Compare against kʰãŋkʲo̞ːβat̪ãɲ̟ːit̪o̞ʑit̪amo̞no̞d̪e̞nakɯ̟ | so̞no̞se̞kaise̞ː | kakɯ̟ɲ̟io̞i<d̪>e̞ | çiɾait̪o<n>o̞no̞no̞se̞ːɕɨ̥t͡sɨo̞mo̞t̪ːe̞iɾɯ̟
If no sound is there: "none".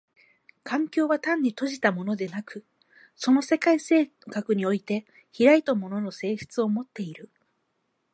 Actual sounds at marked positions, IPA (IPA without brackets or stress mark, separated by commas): t̪, m